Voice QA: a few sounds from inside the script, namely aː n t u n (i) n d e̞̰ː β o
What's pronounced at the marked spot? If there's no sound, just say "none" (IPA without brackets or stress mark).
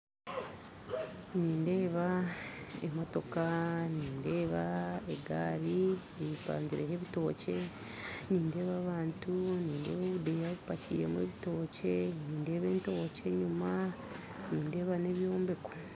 iː